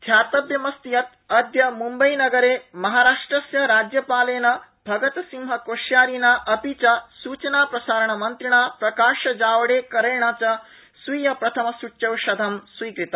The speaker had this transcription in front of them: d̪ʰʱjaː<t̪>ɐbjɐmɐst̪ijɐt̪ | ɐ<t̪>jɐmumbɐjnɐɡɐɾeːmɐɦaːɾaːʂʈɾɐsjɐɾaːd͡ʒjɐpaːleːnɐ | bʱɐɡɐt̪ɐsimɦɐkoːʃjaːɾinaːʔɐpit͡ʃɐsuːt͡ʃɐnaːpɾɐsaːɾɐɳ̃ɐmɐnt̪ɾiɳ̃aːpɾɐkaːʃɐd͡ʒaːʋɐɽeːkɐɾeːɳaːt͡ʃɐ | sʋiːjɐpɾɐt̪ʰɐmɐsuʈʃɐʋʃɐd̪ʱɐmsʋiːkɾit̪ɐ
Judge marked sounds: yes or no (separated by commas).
yes, no